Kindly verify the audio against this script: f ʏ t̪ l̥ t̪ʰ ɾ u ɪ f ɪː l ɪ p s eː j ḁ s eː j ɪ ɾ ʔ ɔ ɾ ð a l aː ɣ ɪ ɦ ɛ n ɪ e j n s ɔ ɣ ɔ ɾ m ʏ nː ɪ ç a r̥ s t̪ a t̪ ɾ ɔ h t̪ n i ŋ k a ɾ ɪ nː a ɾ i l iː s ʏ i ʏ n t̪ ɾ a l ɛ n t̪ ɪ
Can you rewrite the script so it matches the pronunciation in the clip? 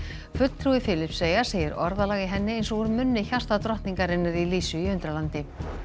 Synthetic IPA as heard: f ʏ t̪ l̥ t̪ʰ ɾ u ɪ f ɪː l ɪ p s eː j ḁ s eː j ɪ ɾ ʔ ɔ ɾ ð a l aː ɣ ɪ ɦ ɛ nː ɪ e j n s ɔ ɣ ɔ ɾ m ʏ nː ɪ ç a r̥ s t̪ a t̪ ɾ ɔ h t̪ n i ŋ k a ɾ ɪ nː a ɾ i l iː s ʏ i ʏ n t̪ ɾ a l a n t̪ ɪ

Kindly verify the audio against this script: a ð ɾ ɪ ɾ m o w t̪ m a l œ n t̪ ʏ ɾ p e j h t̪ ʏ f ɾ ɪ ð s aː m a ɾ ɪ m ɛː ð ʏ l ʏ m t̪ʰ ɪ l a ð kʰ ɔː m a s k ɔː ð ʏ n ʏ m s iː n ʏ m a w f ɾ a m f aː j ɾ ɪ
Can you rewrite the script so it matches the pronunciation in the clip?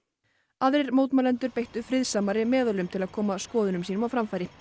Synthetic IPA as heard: a ð ɾ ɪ ɾ m o w t̪ m a l ɛ n t̪ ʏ ɾ p e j h t̪ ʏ f ɾ ɪ ð s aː m a ɾ ɪ m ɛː ð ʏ l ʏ m t̪ʰ ɪ l a ð kʰ ɔː m a s k ɔː ð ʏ n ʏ m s iː n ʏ m a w f ɾ a m f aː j ɾ ɪ

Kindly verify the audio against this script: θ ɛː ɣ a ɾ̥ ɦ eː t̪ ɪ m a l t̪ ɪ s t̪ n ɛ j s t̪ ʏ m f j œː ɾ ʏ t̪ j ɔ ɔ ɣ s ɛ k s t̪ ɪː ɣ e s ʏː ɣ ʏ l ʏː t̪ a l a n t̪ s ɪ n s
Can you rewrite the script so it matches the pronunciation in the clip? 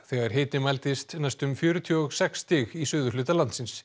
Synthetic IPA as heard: θ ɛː ɣ a ɾ̥ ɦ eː t̪ ɪ m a l t̪ ɪ s t̪ n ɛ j s t̪ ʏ m f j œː ɾ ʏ t̪ʰ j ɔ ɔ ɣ s ɛ k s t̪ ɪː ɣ i s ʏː ð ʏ l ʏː t̪ a l a n t̪ s ɪ n s

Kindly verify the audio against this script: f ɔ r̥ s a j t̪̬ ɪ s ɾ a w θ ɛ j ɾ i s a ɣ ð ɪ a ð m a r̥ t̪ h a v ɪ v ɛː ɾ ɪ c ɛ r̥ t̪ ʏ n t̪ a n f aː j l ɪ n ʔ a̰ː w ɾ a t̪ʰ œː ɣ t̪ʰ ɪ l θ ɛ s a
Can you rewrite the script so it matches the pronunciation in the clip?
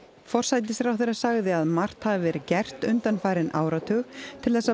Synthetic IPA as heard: f ɔ r̥ s a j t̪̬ ɪ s ɾ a w θ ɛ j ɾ a s a ɣ ð ɪ a ð m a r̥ t̪ h a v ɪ v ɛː ɾ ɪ c ɛ r̥ t̪ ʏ n t̪ a n f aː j ɾ ɪ n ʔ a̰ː w ɾ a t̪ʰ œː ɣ t̪ʰ ɪ l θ ɛ s a

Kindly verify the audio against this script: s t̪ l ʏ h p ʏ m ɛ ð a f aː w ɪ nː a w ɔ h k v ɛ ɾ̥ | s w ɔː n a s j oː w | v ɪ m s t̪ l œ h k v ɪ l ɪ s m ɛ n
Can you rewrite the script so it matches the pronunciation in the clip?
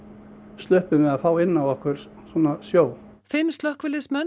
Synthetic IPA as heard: s t̪ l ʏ h p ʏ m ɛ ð a f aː w ɪ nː a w ɔ h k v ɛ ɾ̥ | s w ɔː n a s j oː w | f ɪ m s t̪ l œ h k v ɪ l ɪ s m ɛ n

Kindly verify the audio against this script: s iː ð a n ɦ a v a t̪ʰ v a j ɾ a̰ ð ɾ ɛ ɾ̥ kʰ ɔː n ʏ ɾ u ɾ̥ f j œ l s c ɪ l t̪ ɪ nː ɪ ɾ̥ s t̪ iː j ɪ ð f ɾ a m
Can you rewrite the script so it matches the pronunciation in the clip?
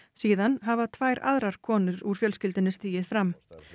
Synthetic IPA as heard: s iː ð a n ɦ a v a t̪ʰ v a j ɾ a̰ ð ɾ a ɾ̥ kʰ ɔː n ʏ ɾ u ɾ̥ f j œ l s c ɪ l t̪ ɪ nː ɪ s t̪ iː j ɪ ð f ɾ a m

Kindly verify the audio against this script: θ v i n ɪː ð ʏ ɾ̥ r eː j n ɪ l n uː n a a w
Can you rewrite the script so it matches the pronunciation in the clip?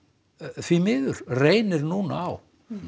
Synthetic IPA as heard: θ v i m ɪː ð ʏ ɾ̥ r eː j n ɪ ɾ n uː n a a w

